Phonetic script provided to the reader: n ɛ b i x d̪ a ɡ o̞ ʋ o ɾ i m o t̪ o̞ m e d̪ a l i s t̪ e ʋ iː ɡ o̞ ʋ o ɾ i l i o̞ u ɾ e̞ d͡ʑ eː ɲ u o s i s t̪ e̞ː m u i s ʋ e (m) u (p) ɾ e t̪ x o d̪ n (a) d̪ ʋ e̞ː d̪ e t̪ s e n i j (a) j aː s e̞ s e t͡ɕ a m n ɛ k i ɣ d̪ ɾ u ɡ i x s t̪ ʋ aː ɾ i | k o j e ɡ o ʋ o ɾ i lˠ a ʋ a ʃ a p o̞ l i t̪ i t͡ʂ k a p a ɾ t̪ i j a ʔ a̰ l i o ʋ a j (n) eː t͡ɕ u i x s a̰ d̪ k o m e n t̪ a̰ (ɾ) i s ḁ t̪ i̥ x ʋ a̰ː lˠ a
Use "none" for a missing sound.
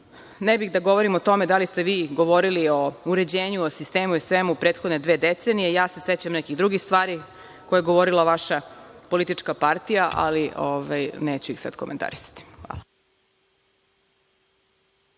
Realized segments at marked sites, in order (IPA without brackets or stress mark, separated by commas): m, p, e, e, n, ɾ